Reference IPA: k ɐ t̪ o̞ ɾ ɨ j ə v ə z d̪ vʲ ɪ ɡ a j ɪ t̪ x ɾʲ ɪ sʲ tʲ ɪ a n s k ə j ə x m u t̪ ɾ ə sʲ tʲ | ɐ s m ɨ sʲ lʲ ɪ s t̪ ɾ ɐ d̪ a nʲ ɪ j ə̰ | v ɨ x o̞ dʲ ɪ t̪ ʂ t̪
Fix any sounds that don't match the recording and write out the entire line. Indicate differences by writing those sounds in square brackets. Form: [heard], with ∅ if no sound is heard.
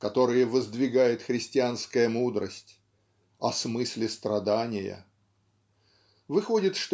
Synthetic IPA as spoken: k ɐ t̪ o̞ ɾ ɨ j ə v ə z d̪ vʲ ɪ ɡ a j ɪ t̪ x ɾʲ ɪ sʲ tʲ ɪ a n s k ə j ə [∅] m u [d̪] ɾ ə sʲ tʲ | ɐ s m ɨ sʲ lʲ ɪ s t̪ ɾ ɐ d̪ a nʲ ɪ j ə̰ | v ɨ x o̞ dʲ ɪ t̪ ʂ t̪